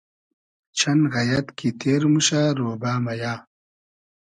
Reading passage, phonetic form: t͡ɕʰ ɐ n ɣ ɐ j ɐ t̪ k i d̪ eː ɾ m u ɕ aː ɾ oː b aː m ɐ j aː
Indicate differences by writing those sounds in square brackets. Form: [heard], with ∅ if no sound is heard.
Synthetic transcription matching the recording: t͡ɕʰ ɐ n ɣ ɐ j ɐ t̪ k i [t̪] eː ɾ m u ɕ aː ɾ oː b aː m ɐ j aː